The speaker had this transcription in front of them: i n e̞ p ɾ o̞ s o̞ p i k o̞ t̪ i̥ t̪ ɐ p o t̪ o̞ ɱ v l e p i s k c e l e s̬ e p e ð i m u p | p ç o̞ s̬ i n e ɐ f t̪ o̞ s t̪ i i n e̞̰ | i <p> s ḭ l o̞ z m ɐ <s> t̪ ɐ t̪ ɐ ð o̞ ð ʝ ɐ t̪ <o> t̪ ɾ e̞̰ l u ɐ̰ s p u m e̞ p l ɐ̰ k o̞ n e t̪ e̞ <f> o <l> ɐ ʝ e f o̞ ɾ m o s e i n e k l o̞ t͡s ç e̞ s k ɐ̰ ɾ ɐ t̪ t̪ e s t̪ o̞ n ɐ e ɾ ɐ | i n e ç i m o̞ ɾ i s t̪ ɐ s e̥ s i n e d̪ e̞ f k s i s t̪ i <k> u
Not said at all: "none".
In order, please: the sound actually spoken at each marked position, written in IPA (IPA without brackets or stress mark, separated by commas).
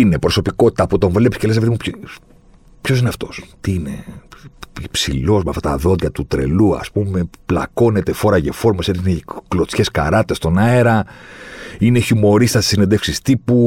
p, f, u, f, ɾ, p